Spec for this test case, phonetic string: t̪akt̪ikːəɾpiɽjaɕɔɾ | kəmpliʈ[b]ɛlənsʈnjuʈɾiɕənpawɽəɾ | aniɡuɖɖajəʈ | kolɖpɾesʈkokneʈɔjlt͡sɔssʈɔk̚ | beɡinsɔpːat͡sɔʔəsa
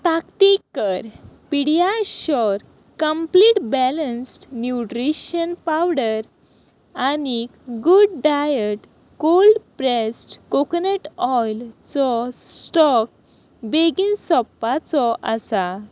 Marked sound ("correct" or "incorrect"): correct